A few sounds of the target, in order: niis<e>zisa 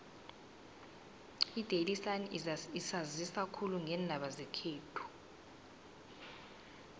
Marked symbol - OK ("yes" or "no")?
no